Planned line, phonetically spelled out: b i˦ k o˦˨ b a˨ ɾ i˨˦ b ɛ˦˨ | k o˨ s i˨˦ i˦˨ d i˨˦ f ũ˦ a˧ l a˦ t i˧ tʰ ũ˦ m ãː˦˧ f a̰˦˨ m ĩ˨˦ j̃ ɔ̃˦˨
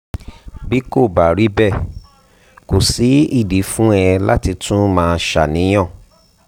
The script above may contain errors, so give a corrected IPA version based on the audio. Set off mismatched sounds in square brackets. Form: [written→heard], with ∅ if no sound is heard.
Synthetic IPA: b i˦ k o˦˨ b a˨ ɾ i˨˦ b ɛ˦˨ | k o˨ s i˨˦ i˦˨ d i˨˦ f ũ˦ [a˧→ɛ˧] l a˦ t i˧ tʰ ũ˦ m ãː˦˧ [f→ʃ] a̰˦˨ [m→n] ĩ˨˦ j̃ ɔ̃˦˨